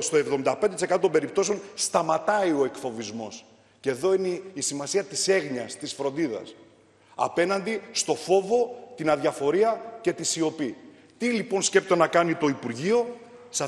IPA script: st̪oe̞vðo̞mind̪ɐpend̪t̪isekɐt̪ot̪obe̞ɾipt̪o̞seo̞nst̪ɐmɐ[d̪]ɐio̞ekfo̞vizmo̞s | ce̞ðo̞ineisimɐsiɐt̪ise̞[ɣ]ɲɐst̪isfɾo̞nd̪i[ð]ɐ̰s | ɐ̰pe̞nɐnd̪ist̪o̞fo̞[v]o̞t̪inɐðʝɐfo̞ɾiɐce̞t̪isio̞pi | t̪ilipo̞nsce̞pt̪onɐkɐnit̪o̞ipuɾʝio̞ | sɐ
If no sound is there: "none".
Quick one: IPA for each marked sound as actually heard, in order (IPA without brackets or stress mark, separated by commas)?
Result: t̪, ɣ, ð, v